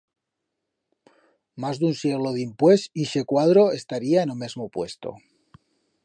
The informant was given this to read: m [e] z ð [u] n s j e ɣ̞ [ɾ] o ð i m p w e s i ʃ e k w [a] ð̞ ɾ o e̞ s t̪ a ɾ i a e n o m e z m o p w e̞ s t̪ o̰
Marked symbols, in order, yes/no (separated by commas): no, yes, no, yes